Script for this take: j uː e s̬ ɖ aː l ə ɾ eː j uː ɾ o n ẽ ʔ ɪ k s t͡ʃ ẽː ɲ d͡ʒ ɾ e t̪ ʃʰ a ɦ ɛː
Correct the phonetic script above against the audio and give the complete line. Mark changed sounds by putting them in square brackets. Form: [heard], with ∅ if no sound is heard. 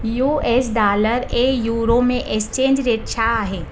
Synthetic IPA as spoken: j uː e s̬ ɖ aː l ə ɾ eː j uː ɾ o [m] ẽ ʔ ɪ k s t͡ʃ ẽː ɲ d͡ʒ ɾ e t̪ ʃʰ a ɦ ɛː